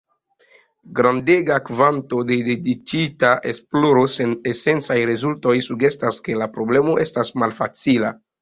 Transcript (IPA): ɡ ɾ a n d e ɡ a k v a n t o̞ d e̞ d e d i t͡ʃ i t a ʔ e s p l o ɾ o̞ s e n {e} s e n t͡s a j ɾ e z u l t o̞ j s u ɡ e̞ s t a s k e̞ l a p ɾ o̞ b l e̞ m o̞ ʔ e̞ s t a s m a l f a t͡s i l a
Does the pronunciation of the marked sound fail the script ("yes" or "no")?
no